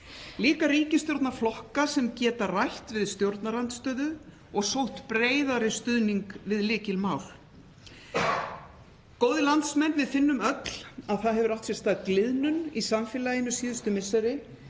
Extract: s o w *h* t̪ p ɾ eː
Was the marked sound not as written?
no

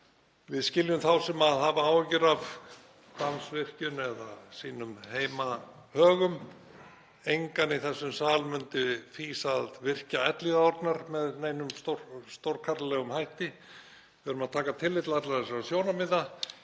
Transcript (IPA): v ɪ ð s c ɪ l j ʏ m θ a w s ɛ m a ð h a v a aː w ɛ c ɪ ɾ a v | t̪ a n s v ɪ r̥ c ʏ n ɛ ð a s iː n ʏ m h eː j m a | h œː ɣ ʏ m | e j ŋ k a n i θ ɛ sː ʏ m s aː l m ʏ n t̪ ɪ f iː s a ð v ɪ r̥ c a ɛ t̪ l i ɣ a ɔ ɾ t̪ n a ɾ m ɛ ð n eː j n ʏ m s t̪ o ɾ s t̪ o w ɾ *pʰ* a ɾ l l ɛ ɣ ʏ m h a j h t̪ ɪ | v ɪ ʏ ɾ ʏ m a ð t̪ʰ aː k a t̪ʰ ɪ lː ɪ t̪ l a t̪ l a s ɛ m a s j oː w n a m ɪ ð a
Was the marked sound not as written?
yes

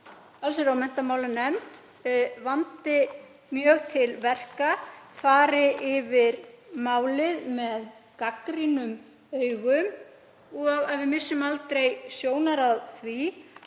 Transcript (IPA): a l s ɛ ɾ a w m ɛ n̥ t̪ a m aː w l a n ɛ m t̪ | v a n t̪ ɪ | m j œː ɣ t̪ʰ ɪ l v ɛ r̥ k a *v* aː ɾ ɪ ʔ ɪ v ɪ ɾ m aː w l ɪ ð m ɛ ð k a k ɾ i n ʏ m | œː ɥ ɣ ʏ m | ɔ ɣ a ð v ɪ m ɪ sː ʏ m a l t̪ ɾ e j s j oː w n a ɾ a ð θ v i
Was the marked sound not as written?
yes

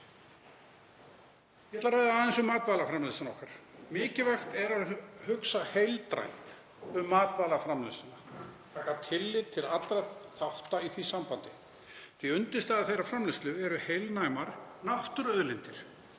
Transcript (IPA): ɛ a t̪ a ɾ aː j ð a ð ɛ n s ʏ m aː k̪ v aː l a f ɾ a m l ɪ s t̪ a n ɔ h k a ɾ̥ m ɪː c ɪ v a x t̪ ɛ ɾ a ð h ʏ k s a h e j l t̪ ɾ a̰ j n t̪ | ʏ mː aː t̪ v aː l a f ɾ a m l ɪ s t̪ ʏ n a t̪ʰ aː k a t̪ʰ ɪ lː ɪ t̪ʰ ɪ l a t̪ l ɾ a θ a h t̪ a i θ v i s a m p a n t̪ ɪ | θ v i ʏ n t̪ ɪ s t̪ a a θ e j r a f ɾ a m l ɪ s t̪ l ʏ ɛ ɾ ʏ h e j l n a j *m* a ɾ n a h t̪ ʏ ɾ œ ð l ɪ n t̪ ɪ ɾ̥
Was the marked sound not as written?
no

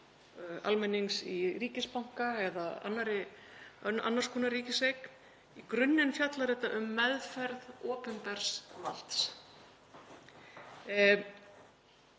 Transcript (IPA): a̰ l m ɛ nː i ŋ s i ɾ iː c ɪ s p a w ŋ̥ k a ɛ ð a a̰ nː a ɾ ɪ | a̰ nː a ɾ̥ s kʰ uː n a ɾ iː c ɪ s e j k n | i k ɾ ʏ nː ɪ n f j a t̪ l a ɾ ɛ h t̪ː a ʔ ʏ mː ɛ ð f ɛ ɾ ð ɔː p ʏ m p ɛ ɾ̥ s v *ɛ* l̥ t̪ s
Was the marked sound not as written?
yes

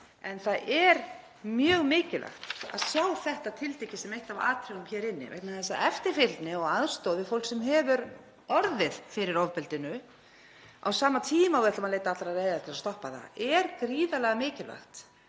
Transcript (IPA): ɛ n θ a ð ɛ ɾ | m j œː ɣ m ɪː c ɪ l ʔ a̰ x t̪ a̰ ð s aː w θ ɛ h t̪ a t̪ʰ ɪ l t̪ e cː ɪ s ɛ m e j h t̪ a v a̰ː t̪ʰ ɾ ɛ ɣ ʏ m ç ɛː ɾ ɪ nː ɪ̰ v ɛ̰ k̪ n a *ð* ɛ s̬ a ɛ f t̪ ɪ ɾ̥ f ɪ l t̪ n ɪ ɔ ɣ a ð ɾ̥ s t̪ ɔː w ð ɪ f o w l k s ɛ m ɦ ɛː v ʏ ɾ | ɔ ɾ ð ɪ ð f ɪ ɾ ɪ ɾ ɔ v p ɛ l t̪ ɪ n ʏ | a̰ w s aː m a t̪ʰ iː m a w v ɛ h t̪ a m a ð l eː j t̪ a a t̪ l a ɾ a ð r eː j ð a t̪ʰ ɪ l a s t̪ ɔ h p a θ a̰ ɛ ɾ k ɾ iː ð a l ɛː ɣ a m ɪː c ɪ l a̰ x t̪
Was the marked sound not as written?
yes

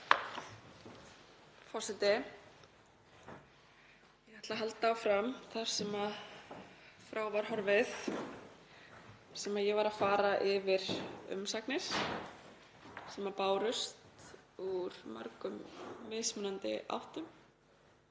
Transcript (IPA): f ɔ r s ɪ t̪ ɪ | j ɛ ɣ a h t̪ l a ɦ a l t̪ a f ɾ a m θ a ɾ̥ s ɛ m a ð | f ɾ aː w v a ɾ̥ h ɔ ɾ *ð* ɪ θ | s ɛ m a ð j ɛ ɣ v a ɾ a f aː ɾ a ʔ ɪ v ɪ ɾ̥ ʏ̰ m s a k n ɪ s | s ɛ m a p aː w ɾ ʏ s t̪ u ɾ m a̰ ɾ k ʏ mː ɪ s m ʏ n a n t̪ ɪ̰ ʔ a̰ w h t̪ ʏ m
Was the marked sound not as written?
yes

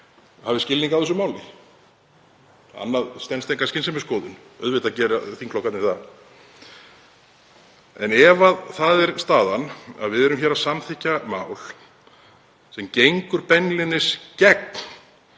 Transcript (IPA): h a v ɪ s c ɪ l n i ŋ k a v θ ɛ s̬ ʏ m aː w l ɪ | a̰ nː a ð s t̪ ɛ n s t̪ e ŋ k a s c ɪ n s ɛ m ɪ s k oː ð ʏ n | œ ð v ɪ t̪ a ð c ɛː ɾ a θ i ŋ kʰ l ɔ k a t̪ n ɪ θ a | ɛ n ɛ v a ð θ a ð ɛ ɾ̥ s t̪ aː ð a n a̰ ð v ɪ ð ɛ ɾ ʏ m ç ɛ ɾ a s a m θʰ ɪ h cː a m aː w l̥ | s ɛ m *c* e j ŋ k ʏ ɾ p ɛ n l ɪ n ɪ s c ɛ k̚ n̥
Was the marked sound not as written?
no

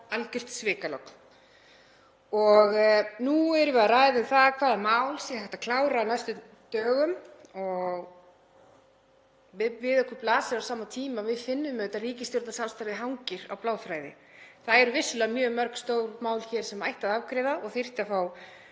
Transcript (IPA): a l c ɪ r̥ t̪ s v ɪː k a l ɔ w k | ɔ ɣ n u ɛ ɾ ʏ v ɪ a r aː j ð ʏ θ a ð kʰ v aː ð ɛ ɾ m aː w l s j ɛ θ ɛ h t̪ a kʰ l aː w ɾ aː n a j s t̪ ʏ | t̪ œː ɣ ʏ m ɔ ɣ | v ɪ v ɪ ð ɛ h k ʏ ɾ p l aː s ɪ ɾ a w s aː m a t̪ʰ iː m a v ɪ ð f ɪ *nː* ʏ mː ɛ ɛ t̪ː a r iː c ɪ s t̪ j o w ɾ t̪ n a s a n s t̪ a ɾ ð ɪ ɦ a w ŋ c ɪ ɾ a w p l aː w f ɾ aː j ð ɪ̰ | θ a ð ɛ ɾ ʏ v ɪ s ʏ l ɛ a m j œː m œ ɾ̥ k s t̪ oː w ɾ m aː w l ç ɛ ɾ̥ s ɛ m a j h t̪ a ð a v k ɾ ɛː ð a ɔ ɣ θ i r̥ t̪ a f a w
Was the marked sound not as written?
no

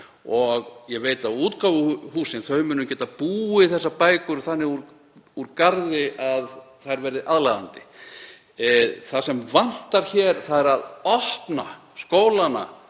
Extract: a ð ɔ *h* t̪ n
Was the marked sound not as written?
no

